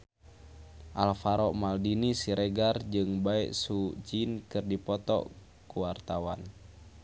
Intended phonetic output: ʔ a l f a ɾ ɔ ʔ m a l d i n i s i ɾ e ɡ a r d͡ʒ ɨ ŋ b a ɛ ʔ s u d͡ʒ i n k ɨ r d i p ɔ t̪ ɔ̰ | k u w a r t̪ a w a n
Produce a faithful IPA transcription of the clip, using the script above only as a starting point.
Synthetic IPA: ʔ a l f a ɾ ɔ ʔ m a l d i n i s i ɾ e ɡ a r d͡ʒ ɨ ŋ b a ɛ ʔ s u d͡ʒ i n k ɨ r d i p ɔ t̪ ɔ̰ | k u w a r t̪ a w a n